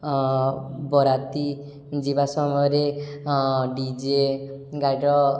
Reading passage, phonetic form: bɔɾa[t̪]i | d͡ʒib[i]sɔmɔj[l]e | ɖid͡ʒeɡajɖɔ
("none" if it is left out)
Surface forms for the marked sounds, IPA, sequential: t̪, a, ɾ

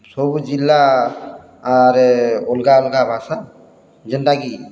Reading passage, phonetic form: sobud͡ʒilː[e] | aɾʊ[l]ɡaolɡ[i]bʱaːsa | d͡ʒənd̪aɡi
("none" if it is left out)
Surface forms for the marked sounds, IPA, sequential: a, l, a

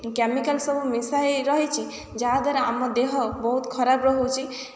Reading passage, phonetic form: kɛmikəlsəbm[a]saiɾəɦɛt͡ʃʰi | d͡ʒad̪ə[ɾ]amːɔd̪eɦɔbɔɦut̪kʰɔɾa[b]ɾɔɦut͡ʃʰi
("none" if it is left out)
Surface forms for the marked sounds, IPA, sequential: i, ɾ, b

